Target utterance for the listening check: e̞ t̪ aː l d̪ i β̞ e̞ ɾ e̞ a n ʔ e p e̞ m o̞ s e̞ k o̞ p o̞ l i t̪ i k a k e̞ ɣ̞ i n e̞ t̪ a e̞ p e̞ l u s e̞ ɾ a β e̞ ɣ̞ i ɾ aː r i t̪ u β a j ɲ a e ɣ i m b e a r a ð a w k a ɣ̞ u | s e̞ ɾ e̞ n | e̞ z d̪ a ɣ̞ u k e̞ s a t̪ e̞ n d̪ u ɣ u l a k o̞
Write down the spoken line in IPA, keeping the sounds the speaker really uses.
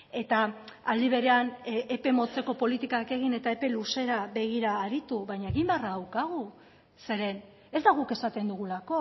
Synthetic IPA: e̞ t̪ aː l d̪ i β̞ e̞ ɾ e̞ a n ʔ e p e̞ m o̞ t͡s e̞ k o̞ p o̞ l i t̪ i k a k e̞ ɣ̞ i n e̞ t̪ a e̞ p e̞ l u s e̞ ɾ a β e̞ ɣ̞ i ɾ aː ɾ i t̪ u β a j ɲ a e ɣ i m b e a r a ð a w k a ɣ̞ u | s e̞ ɾ e̞ n | e̞ z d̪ a ɣ̞ u k e̞ s a t̪ e̞ n d̪ u ɣ u l a k o̞